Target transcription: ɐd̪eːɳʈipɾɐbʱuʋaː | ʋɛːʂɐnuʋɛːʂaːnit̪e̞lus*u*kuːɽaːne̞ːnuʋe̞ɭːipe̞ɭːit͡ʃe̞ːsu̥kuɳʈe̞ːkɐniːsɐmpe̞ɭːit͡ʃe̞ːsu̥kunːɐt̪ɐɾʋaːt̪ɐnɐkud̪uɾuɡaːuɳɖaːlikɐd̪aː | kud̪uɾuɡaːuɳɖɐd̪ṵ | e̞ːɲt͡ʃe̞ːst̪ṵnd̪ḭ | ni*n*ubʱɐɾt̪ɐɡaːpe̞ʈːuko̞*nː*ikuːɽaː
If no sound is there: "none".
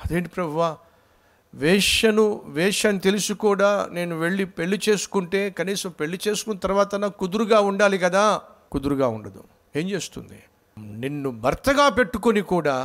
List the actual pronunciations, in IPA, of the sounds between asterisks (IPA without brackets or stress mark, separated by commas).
u, nː, n